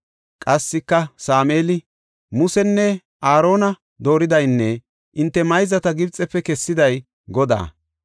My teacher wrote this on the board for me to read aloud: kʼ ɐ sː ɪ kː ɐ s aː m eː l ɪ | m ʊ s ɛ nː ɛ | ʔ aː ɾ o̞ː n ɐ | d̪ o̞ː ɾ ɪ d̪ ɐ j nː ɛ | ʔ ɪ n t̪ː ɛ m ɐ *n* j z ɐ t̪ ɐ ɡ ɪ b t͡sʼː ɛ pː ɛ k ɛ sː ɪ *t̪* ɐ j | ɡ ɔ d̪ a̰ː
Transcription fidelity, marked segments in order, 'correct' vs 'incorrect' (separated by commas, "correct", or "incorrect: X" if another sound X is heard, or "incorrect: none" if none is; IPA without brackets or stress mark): incorrect: none, incorrect: d̪